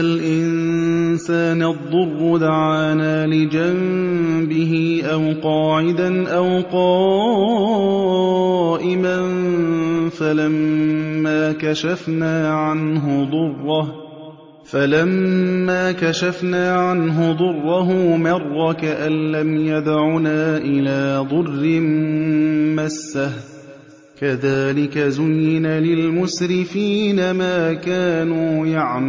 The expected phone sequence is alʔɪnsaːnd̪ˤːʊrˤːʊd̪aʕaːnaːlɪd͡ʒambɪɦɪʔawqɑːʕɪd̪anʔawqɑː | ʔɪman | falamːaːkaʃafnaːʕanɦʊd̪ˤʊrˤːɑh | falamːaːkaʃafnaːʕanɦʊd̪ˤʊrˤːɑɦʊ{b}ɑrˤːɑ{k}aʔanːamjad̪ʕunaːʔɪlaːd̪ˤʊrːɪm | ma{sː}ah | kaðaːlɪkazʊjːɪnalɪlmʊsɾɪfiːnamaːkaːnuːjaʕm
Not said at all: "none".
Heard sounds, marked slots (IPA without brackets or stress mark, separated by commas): m, k, sː